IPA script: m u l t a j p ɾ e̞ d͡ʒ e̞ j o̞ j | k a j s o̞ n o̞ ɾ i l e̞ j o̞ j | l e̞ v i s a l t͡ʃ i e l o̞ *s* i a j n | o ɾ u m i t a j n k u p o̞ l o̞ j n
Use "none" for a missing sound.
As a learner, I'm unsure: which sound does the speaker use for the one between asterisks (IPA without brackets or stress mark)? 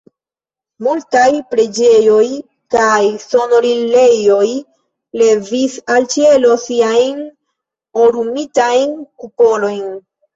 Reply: s